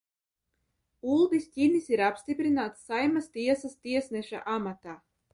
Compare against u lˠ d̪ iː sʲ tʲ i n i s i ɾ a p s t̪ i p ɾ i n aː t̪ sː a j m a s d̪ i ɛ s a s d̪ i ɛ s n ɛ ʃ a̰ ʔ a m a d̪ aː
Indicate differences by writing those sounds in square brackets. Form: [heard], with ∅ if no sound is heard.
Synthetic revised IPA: u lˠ d̪ [i] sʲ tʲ i n i s i ɾ a p s t̪ i p ɾ i n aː t̪ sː a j m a s [t̪] i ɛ s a s [t̪] i ɛ s n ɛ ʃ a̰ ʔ a m a [t̪] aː